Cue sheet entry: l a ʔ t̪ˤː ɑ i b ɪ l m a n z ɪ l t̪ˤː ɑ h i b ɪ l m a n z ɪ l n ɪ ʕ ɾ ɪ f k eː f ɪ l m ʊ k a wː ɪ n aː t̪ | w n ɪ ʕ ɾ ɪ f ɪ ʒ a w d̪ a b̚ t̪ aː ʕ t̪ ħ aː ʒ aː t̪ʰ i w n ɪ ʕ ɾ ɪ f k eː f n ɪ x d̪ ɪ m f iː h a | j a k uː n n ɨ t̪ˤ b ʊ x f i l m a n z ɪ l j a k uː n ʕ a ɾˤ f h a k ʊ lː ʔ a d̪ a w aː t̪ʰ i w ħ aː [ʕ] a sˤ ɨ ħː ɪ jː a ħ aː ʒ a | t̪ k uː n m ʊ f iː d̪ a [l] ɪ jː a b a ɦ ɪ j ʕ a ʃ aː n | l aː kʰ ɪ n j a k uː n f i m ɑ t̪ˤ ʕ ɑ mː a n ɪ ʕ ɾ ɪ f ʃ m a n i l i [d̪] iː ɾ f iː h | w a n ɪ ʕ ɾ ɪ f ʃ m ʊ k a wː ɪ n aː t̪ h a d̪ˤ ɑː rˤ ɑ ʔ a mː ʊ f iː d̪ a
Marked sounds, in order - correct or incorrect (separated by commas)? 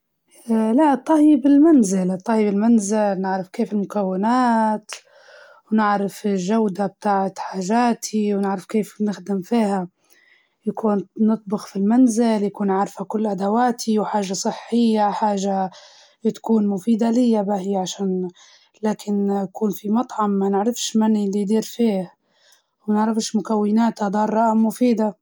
incorrect, correct, correct